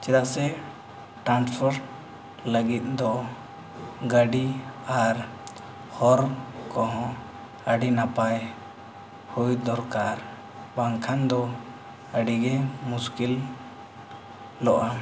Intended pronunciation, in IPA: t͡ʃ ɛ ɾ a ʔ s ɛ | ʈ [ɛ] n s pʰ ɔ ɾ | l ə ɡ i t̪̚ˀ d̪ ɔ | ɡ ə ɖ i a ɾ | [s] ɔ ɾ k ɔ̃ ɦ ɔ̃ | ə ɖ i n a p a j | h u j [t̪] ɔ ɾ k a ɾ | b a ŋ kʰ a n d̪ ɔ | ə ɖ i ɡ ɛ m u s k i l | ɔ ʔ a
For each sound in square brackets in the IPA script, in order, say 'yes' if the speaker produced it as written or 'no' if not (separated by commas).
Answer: no, no, no